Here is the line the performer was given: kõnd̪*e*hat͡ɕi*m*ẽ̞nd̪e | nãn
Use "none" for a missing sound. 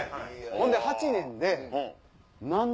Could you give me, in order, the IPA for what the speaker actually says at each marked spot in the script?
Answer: e, n

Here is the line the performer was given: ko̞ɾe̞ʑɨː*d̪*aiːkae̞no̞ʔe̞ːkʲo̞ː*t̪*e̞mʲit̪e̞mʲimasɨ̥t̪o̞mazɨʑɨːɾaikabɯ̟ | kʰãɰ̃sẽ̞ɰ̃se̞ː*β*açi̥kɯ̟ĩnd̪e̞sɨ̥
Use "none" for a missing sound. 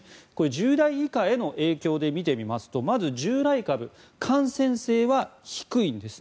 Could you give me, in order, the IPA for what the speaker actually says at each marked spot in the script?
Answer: d̪, d̪, β

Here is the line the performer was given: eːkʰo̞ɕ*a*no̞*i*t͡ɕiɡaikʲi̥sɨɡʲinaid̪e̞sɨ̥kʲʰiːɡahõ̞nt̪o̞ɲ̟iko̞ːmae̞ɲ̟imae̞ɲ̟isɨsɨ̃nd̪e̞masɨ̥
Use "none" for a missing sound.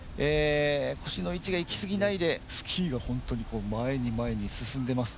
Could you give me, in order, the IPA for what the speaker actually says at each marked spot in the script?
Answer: i, i

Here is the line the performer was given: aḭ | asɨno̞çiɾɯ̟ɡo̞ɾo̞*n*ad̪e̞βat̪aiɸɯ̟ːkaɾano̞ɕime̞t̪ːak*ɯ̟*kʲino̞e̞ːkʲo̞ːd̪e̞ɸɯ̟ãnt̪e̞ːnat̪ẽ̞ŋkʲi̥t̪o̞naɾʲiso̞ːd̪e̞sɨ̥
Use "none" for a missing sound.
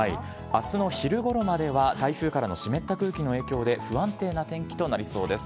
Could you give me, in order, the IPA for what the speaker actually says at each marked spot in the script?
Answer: m, ɯ̟ː

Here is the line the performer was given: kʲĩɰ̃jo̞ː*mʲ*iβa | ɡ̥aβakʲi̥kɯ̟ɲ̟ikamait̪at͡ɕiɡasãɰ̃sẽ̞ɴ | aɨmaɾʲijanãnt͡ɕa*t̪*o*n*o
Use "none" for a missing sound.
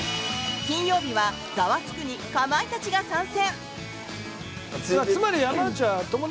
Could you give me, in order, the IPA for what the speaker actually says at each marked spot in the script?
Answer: bʲ, t̪, m

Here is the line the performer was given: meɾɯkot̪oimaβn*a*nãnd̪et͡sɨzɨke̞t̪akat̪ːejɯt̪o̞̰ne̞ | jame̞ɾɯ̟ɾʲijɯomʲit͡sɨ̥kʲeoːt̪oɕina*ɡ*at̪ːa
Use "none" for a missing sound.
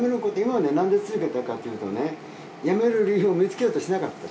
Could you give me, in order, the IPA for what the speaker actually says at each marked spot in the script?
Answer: e, k

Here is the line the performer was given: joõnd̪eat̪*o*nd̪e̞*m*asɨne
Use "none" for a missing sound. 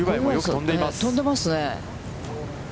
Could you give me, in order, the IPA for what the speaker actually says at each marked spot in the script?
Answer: õ, m

